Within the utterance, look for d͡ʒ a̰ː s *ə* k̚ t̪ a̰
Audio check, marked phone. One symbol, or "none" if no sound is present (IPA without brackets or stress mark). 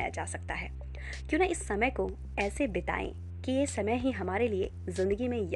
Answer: ɐ